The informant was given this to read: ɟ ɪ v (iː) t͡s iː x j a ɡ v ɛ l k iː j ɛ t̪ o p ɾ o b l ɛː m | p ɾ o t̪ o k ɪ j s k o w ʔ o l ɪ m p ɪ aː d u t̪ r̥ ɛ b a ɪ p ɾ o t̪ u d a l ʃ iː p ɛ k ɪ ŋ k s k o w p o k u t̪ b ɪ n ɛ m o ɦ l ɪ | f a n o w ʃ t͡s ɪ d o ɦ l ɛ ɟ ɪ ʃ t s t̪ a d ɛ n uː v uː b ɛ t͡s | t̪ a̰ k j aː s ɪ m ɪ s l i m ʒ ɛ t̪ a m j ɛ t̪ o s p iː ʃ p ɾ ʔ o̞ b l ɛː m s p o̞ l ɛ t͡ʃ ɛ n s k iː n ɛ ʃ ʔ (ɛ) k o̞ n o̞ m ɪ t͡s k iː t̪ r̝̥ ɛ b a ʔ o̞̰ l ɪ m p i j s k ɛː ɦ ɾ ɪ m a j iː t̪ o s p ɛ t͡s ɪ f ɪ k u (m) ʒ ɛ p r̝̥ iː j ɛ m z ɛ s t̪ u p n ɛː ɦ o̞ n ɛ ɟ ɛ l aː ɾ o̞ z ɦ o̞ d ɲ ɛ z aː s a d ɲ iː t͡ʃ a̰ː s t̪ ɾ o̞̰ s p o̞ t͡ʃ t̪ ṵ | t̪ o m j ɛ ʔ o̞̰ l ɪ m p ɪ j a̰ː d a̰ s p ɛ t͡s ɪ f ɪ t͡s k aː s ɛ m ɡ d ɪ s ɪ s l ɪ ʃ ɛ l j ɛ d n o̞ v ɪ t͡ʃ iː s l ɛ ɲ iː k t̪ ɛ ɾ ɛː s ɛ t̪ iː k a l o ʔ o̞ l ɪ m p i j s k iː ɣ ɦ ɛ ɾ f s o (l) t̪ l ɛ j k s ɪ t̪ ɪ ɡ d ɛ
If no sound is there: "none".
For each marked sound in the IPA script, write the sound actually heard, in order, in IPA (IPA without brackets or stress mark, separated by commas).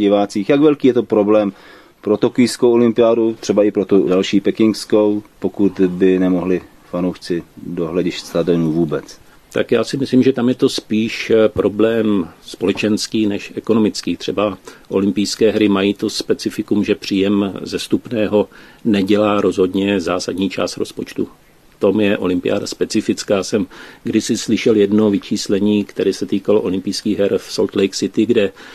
aː, ɛ, m, l